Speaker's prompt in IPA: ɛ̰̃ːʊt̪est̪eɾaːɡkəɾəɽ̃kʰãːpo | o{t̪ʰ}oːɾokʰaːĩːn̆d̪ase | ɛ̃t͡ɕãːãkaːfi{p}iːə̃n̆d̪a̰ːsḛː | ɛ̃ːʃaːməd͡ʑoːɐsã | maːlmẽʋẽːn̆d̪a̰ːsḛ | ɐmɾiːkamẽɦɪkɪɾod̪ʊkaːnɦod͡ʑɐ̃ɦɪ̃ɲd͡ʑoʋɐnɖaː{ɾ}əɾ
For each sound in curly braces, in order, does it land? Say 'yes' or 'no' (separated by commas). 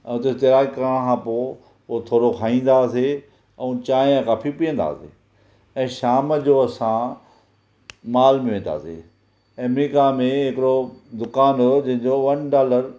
yes, yes, no